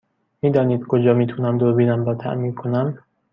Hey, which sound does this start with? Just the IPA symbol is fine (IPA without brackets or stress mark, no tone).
m